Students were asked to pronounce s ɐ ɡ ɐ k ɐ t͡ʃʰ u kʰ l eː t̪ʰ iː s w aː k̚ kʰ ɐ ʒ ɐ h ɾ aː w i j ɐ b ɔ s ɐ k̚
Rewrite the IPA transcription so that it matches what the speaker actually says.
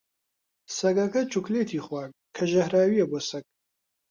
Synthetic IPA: s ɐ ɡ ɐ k ɐ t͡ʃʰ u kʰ l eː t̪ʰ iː χ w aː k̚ kʰ ɐ ʒ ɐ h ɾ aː w i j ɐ b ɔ s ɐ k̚